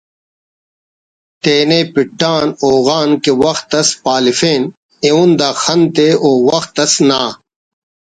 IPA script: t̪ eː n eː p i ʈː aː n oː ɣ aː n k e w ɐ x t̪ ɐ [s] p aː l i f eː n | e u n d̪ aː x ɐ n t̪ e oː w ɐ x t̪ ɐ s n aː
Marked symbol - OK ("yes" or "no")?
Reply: yes